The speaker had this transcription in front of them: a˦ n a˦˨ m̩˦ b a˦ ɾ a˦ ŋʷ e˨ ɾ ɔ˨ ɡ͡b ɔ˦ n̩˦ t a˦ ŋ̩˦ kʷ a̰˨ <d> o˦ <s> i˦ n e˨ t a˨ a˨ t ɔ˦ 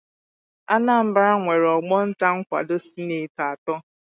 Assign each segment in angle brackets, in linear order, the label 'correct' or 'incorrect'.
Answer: correct, correct

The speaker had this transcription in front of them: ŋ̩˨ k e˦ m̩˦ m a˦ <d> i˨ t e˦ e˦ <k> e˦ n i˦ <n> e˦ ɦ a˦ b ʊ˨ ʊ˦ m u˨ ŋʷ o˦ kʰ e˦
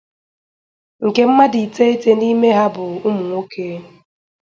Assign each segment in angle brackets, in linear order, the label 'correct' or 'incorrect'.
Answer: correct, incorrect: t, incorrect: m

